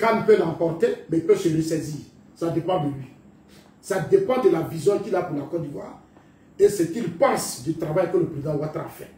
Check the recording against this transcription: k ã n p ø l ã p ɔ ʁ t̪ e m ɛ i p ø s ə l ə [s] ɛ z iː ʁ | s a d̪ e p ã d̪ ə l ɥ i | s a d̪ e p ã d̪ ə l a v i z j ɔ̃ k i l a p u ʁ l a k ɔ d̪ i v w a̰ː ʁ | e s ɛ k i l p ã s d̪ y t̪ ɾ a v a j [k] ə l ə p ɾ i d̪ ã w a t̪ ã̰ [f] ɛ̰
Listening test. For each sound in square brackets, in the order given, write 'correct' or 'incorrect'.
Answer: correct, correct, correct

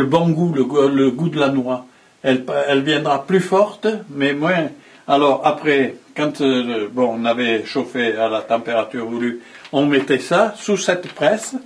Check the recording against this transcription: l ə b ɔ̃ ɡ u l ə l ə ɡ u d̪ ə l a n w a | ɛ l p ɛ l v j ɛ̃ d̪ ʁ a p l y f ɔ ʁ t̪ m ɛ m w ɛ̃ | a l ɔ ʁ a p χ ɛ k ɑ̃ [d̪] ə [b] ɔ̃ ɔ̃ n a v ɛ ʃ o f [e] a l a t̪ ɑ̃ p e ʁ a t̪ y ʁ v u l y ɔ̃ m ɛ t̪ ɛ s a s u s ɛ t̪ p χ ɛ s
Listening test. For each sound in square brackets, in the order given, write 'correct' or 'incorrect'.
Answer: incorrect: t̪, correct, correct

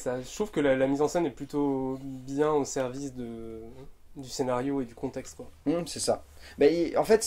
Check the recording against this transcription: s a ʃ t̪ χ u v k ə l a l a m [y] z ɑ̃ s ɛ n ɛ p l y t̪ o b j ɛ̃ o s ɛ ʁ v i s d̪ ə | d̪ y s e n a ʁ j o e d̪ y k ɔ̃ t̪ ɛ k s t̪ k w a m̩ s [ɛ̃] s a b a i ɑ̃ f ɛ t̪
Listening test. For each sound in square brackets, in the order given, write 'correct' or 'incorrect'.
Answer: incorrect: i, incorrect: ɛ

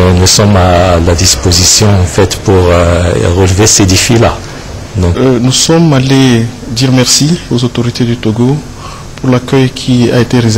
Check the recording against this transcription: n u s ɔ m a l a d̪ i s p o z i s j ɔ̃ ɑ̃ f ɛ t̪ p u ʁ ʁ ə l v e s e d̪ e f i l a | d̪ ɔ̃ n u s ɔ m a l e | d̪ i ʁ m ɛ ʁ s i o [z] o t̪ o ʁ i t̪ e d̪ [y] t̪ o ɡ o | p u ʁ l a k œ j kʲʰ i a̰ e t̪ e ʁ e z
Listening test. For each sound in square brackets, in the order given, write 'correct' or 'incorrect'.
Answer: correct, correct

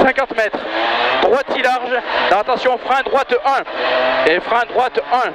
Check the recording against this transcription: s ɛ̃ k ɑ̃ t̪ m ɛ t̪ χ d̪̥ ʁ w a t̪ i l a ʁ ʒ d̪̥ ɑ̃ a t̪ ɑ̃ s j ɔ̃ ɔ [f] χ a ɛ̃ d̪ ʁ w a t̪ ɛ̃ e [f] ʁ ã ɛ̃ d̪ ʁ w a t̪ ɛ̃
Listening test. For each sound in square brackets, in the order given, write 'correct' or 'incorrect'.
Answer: correct, correct

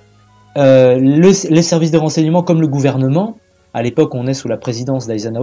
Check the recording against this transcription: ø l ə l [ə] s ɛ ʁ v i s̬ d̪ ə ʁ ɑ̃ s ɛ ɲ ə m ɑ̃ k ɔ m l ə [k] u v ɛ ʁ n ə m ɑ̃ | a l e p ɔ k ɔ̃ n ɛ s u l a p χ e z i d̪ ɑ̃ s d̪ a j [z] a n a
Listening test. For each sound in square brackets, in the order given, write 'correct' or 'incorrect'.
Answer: correct, incorrect: ɡ, correct

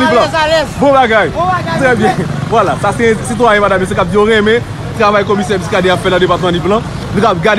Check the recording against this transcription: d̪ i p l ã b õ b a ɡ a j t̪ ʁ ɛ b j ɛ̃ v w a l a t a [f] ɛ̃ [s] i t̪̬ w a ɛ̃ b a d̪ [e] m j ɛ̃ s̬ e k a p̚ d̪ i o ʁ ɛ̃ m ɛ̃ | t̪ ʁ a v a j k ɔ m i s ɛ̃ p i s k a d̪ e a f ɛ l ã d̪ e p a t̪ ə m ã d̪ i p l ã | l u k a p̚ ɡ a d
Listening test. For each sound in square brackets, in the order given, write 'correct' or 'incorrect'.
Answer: incorrect: s, correct, incorrect: a

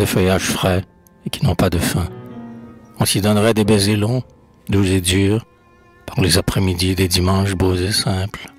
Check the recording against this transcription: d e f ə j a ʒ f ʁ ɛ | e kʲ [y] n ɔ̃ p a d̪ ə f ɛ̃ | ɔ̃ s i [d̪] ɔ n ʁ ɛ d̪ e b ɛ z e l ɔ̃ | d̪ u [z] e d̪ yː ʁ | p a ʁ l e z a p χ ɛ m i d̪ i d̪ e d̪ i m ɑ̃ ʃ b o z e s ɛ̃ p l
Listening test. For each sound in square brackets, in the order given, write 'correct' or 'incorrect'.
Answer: incorrect: i, correct, correct

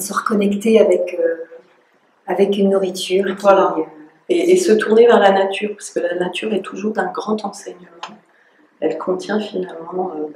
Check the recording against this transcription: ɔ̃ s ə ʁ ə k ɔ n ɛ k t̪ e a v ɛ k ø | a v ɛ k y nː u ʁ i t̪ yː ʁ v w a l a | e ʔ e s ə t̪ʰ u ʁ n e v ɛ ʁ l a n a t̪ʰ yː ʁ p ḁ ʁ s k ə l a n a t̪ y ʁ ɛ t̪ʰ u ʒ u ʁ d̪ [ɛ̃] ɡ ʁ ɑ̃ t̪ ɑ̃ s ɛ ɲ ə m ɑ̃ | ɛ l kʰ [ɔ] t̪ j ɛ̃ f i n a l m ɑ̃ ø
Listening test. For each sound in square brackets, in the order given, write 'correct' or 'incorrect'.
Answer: correct, incorrect: ɔ̃

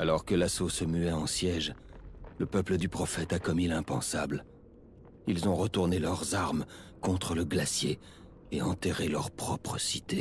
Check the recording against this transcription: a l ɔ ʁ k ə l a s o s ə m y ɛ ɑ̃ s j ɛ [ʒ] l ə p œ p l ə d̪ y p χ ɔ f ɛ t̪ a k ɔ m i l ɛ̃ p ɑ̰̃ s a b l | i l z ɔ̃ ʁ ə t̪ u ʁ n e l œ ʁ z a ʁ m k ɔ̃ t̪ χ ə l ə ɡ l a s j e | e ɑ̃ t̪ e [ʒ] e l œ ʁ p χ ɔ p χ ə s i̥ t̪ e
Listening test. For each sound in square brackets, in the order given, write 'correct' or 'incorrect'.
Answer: correct, incorrect: ʁ

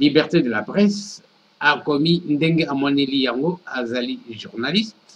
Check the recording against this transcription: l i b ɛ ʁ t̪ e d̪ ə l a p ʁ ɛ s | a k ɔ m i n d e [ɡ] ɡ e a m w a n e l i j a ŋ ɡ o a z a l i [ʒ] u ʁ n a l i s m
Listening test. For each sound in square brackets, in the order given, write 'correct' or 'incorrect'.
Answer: incorrect: ŋ, correct

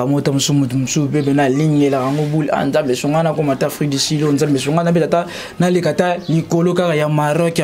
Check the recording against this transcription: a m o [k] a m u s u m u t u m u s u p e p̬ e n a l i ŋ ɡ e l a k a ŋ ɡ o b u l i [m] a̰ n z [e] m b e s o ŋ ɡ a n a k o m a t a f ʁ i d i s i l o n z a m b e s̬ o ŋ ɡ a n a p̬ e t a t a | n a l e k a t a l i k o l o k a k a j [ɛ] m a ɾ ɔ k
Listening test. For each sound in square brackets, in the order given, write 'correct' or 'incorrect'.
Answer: incorrect: t, incorrect: none, incorrect: a, incorrect: a

